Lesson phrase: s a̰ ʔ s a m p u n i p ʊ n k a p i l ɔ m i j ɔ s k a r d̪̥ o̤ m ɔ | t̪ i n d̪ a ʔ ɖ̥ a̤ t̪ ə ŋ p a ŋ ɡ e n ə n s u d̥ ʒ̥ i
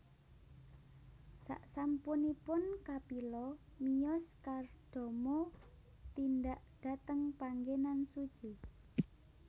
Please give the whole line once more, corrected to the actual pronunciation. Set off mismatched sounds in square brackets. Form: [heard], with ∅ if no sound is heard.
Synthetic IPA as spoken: s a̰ ʔ s a m p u n i p ʊ n k a p i l ɔ m i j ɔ s k a r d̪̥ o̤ m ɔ | t̪ i n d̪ a ʔ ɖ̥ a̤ t̪ ə ŋ p a ŋ ɡ e n [a] n s u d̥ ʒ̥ i